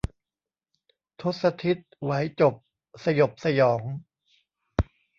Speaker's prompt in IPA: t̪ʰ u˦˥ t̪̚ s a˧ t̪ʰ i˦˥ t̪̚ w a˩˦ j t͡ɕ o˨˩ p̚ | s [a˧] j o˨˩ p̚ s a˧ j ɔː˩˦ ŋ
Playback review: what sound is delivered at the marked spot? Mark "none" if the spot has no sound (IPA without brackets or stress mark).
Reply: a˧